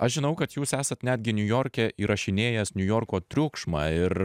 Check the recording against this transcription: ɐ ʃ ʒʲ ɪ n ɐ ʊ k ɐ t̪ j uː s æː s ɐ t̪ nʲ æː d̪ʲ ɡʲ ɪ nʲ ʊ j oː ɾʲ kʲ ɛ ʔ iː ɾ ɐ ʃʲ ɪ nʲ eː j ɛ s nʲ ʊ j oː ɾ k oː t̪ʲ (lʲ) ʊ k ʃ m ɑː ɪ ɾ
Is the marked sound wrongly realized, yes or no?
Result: yes